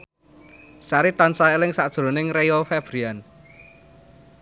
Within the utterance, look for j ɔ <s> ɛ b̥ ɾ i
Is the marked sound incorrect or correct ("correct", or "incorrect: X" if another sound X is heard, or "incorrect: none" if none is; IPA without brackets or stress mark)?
incorrect: f